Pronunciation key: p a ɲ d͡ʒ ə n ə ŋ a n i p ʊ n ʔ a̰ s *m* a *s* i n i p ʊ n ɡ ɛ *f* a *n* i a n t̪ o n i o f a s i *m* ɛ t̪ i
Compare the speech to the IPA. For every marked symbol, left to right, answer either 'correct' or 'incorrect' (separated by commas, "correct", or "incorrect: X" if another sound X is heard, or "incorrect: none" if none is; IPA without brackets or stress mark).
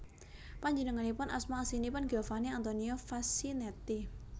correct, correct, correct, correct, incorrect: n